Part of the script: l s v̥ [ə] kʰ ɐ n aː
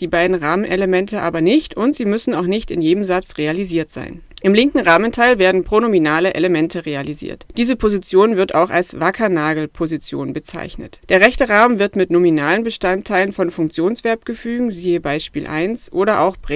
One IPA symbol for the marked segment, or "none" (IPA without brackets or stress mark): a